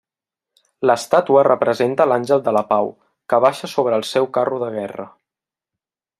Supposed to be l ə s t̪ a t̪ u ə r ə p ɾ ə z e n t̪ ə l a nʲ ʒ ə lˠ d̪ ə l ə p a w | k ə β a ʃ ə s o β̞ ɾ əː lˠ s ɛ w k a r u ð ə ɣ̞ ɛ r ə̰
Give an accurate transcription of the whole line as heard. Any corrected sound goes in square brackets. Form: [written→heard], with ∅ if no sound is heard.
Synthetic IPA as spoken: l ə s t̪ a t̪ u ə r ə p ɾ ə z e n t̪ ə l a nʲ ʒ ə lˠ d̪ ə l ə p a w | k ə β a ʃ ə s o β̞ ɾ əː lˠ s ɛ w k a r u ð ə ɣ̞ ɛ r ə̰